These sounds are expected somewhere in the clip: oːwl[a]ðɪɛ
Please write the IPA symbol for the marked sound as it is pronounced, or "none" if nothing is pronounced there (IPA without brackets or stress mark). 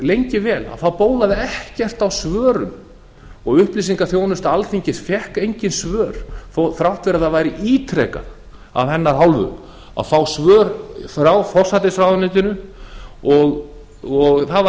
a